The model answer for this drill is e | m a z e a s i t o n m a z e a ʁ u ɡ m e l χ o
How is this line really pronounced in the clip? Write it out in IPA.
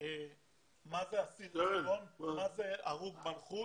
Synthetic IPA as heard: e | m a z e a s i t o n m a z e a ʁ u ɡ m a l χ u